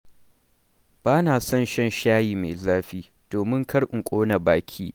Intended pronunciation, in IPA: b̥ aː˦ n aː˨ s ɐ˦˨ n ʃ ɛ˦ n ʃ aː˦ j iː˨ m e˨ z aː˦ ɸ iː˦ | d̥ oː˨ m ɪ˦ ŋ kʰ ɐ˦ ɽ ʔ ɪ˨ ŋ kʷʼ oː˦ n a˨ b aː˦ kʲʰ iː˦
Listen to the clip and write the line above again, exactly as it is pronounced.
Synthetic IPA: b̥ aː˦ n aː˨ s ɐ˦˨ n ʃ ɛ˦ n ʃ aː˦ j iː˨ m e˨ z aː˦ ɸ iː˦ | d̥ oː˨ m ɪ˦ ŋ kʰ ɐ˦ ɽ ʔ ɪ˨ ŋ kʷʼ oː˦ n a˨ b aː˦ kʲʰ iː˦